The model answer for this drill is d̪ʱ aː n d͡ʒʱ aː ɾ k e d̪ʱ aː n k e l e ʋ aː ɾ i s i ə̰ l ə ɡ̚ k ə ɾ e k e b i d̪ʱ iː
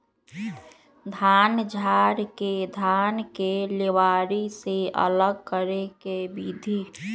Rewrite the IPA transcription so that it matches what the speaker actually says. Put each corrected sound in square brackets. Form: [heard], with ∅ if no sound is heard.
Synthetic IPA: d̪ʱ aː n d͡ʒʱ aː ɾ k e d̪ʱ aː n k e l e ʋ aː ɾ i s [e] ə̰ l ə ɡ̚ k ə ɾ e k e b i d̪ʱ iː